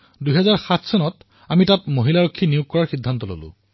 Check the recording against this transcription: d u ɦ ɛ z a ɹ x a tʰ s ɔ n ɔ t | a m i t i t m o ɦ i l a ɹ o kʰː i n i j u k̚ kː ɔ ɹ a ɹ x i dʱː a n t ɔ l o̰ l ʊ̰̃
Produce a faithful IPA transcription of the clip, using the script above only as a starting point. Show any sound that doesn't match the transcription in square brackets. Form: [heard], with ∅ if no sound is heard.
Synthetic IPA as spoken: d u ɦ ɛ z a ɹ x a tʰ s ɔ n ɔ t | a m i t [a] t m o ɦ i l a ɹ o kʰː i n i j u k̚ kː ɔ ɹ a ɹ x i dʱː a n t ɔ l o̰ l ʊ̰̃